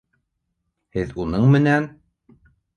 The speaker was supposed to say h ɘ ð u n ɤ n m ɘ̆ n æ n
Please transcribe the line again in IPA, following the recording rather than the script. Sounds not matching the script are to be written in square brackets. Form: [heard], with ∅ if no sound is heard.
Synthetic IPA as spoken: h ɘ ð u n ɤ [ɴ] m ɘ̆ n æ n